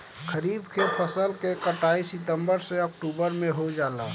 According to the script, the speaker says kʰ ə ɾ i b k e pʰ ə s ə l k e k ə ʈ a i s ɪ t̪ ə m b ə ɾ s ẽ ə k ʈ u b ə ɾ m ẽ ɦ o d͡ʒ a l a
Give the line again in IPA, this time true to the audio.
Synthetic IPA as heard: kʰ ə ɾ i b k e pʰ ə s ə l k e k ə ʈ a i s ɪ t̪ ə m b ə ɾ s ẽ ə k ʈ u b ə ɾ m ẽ ɦ o d͡ʒ a l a